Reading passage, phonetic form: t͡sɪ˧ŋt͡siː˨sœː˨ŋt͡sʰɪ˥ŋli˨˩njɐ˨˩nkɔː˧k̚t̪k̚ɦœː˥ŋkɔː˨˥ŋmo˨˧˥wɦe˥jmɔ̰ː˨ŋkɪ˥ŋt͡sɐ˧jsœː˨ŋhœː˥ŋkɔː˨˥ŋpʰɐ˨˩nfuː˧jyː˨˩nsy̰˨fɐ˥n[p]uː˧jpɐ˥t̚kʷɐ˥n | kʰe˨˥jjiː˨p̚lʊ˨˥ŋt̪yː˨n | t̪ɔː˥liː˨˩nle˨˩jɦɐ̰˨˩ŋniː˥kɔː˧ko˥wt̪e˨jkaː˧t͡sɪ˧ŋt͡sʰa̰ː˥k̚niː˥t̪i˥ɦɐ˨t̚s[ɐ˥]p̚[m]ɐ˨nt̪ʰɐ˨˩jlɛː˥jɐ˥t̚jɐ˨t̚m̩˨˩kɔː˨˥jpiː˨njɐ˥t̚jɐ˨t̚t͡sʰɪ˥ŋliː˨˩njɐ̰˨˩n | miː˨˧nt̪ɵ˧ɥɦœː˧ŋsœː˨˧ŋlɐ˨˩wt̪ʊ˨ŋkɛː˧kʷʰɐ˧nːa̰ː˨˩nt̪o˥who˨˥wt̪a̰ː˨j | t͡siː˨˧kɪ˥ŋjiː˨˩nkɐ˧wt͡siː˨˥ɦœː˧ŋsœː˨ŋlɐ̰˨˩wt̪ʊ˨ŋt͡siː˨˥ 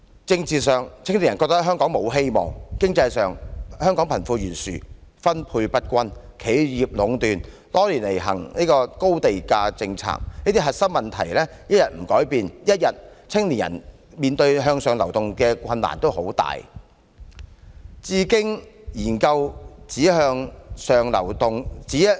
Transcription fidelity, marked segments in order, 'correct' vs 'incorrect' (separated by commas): incorrect, correct, correct